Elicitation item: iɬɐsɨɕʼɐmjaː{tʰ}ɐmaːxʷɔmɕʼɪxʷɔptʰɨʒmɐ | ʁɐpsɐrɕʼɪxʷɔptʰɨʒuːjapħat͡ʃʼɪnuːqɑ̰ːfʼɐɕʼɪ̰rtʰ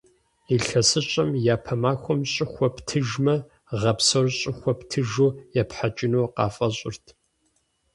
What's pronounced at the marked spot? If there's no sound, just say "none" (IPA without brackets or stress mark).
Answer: pʰ